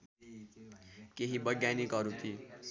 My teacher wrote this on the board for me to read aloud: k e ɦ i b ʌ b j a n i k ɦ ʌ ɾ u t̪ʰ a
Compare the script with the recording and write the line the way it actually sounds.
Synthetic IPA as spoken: k e ɦ i b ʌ ɡ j a n i k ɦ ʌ ɾ u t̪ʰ i